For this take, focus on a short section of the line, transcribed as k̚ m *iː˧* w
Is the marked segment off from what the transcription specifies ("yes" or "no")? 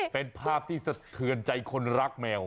yes